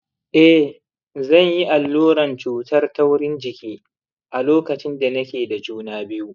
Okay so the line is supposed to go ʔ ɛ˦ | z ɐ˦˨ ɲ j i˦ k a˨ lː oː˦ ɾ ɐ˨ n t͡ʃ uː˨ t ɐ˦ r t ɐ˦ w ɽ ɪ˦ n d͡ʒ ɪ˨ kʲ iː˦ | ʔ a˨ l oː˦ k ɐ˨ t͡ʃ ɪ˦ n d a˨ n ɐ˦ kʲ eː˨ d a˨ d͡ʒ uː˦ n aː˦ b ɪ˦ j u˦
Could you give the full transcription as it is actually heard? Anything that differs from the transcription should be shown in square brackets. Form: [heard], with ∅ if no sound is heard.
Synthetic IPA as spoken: ʔ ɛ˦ | z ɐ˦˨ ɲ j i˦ [ʔ] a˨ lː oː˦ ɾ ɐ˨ n t͡ʃ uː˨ t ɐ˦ r t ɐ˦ w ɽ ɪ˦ n d͡ʒ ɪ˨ kʲ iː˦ | ʔ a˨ l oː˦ k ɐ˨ t͡ʃ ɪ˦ n d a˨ n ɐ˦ kʲ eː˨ d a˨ d͡ʒ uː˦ n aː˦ b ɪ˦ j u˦